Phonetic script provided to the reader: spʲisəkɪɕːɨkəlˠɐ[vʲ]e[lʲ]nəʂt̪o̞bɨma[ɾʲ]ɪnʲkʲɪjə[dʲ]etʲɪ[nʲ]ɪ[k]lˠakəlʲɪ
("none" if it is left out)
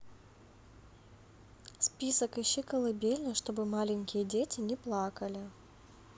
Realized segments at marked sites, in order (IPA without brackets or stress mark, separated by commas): bʲ, lʲ, lʲ, dʲ, nʲ, p